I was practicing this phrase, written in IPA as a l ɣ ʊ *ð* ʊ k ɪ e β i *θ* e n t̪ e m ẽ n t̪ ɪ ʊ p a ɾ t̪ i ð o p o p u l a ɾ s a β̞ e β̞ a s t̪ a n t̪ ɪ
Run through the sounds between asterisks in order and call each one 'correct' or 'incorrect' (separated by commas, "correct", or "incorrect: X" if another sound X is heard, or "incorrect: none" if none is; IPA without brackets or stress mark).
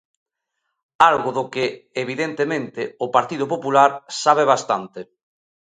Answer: correct, incorrect: ð